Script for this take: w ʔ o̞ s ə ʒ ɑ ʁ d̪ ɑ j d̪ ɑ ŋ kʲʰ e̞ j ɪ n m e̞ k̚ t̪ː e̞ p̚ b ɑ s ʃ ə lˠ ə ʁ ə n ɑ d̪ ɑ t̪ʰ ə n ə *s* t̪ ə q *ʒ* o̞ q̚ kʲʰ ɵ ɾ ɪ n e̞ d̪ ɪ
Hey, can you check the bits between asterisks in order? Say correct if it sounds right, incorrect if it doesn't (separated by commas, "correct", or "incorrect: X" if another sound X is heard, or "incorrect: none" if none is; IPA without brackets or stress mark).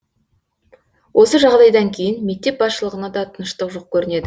incorrect: ʃ, correct